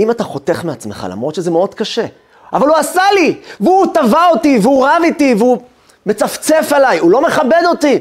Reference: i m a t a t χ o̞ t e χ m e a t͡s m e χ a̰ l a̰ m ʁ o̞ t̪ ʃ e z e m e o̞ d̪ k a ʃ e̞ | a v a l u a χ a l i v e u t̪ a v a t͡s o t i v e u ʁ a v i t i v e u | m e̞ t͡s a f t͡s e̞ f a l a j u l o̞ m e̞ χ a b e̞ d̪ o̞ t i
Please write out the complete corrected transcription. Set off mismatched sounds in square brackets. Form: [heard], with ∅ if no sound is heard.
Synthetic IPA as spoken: i m a t a [∅] χ o̞ t e χ m e a t͡s m e χ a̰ l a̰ m ʁ o̞ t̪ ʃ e z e m e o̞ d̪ k a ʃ e̞ | a v a l u a [s] a l i v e u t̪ a v a [∅] o t i v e u ʁ a v i t i v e u | m e̞ t͡s a f t͡s e̞ f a l a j u l o̞ m e̞ χ a b e̞ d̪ o̞ t i